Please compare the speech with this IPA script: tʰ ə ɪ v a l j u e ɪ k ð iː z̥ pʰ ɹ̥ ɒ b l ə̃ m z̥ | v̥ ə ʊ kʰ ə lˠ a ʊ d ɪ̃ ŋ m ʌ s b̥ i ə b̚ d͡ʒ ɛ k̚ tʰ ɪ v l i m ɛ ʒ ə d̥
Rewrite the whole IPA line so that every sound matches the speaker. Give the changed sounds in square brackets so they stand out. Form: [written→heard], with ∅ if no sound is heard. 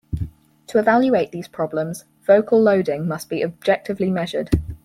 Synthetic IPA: tʰ ə ɪ v a l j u e ɪ [k→ʔ] ð iː z̥ pʰ ɹ̥ ɒ b l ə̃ m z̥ | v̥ ə ʊ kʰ ə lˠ [a→ə] ʊ d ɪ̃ ŋ m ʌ s b̥ i ə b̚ d͡ʒ ɛ k̚ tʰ ɪ v l i m ɛ ʒ ə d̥